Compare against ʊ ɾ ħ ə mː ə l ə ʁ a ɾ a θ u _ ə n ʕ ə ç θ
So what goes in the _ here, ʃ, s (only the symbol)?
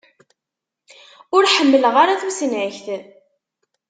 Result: s